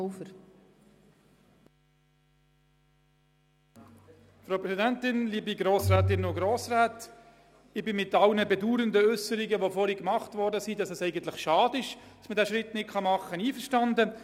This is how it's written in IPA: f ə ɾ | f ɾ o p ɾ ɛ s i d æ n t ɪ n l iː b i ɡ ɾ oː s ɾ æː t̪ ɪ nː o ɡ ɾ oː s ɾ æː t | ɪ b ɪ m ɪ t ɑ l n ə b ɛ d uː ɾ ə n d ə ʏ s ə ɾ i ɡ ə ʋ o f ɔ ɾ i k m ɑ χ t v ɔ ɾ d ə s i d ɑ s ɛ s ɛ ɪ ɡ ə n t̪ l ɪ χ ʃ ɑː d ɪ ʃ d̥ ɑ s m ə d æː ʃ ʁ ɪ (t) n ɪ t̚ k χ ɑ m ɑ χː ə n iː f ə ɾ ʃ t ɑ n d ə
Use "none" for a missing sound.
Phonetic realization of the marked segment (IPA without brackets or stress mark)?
t